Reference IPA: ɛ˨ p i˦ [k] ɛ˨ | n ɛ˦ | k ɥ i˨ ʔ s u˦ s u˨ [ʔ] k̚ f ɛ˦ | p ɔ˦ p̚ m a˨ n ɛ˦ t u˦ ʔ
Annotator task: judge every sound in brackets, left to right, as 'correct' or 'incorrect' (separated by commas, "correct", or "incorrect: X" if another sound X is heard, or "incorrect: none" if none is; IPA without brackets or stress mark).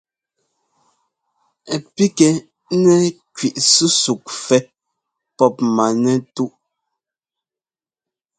correct, incorrect: none